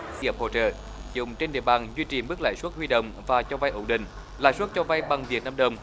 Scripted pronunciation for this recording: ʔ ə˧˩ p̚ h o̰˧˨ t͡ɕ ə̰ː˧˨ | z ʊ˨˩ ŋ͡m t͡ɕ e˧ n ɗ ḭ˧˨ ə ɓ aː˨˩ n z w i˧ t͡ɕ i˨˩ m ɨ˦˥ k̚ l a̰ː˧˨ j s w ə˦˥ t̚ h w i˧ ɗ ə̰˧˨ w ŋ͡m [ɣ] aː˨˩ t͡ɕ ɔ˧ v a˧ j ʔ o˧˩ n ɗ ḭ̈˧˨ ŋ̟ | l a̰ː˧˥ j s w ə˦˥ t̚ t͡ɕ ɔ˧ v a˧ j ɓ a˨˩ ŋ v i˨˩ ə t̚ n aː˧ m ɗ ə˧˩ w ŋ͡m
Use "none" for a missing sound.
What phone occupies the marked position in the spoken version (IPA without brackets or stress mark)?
v